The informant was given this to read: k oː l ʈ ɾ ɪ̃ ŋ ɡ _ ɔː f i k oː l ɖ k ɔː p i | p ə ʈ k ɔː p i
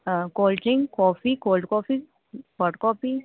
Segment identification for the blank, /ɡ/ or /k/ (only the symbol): k